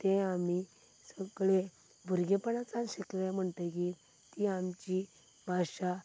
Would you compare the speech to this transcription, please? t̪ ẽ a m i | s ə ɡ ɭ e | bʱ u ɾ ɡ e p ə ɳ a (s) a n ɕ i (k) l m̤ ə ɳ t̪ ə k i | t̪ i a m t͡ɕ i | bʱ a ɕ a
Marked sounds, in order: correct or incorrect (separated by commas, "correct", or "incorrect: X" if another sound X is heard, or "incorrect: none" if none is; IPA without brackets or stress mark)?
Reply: incorrect: t͡s, correct